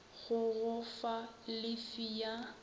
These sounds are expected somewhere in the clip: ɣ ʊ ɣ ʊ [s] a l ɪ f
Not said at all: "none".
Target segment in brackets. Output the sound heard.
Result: f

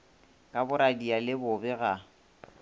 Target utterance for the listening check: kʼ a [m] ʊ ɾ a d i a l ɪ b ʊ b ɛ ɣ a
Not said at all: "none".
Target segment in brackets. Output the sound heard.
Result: b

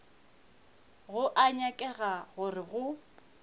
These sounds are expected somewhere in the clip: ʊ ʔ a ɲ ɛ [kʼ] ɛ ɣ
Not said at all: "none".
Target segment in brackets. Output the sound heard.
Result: kʼ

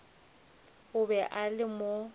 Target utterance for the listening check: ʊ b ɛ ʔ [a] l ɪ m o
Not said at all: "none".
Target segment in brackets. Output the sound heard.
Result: a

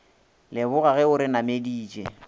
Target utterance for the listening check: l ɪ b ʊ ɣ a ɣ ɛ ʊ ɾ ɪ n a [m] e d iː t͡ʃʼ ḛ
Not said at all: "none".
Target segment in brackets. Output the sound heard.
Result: m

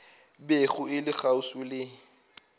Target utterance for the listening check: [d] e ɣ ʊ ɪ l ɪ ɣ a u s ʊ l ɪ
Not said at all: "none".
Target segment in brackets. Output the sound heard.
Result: b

